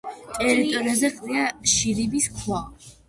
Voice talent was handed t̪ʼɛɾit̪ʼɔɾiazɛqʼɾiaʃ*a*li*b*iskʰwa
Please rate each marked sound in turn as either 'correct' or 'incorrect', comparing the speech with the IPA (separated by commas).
incorrect, correct